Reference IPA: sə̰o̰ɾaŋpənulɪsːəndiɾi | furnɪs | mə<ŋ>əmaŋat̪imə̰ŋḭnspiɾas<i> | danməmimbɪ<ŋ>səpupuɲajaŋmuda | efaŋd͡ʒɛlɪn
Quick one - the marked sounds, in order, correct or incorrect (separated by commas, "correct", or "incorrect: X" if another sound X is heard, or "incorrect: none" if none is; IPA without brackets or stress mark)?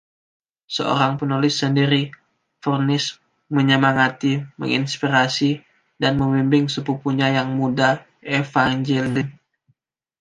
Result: incorrect: ɲ, correct, correct